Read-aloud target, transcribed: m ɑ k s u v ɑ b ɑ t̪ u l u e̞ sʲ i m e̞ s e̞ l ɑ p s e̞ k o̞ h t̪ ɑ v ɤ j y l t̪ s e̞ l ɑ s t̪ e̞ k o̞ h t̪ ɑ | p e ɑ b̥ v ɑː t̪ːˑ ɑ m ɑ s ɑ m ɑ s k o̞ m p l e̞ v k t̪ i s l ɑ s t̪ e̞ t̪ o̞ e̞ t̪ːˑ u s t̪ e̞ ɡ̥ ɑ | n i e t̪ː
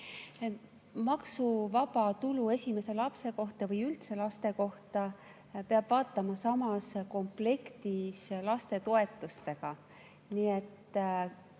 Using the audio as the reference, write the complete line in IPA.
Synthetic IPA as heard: m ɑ k s u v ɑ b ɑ t̪ u l u e̞ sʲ i m e̞ s e̞ l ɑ p s e̞ k o̞ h t̪ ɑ v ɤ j y l t̪ s e̞ l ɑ s t̪ e̞ k o̞ h t̪ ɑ | p e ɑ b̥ v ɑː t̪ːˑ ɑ m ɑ s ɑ m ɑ s k o̞ m p l e̞ k t̪ i s l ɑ s t̪ e̞ t̪ o̞ e̞ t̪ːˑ u s t̪ e̞ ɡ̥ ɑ | n i e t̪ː